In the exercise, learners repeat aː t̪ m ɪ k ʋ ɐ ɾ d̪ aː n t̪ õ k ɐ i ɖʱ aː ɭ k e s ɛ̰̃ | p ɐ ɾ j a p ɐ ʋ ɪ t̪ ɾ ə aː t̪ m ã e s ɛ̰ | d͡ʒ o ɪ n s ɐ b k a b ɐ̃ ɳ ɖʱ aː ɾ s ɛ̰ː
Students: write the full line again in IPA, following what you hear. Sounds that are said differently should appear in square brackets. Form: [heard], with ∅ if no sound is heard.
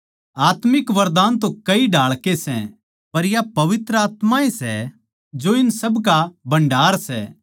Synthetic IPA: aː t̪ m ɪ k ʋ ɐ ɾ d̪ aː n t̪ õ k ɐ i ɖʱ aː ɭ k e s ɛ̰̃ | p ɐ ɾ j a p ɐ ʋ ɪ t̪ ɾ ə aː t̪ m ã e s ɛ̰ | d͡ʒ o ɪ n s ɐ b k a b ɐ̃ ɳ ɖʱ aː ɾ s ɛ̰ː